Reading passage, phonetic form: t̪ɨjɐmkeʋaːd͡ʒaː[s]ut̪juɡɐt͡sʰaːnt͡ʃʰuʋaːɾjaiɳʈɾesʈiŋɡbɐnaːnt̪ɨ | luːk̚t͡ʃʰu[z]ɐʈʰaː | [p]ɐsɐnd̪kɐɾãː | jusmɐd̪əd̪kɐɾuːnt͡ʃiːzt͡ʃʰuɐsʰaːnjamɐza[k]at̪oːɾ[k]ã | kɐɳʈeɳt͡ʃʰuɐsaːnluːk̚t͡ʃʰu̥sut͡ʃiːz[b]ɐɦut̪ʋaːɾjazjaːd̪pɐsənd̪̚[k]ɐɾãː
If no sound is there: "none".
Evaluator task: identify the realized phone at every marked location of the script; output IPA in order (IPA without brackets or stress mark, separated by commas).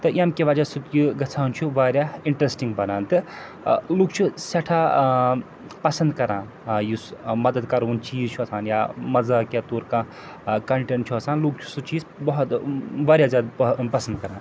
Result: s, s, p, k, k, b, k